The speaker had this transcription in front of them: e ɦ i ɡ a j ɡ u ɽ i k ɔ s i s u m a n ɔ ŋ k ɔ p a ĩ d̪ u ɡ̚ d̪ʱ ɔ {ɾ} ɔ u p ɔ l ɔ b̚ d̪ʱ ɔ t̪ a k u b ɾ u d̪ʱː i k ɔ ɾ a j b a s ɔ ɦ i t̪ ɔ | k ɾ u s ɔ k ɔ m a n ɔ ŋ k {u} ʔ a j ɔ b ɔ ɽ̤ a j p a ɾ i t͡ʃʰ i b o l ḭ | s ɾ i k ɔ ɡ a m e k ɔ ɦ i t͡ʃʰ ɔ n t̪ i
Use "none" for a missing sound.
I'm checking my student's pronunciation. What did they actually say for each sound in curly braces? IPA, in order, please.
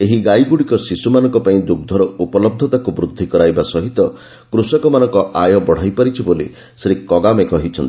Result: ɾ, ɔ

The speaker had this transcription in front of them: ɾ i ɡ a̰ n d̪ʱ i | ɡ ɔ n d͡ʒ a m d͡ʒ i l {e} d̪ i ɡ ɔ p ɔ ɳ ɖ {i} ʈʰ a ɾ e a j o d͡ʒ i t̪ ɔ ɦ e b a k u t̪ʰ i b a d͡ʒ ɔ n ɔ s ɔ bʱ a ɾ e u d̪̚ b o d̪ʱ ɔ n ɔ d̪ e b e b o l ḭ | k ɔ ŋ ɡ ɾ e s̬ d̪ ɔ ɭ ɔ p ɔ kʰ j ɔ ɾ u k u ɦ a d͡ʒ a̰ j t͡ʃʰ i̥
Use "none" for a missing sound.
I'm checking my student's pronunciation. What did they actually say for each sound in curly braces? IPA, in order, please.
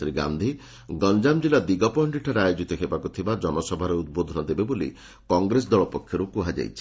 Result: a, i

